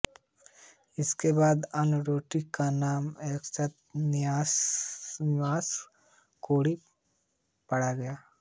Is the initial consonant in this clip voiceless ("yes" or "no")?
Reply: yes